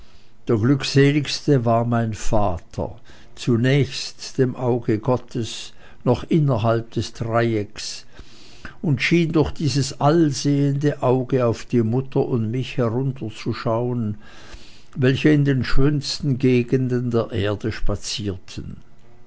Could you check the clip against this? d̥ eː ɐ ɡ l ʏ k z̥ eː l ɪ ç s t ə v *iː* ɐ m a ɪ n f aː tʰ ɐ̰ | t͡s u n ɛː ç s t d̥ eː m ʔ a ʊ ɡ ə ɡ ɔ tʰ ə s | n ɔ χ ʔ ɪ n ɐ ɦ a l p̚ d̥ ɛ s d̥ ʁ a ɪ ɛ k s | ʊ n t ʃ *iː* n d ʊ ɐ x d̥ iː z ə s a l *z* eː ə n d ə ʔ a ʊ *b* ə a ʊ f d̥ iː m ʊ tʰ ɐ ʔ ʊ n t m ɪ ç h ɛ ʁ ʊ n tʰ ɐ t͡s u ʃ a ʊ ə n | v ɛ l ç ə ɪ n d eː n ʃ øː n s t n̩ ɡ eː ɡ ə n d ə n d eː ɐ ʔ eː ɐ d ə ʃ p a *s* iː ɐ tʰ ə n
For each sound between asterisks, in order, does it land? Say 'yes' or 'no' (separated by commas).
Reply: no, yes, yes, no, no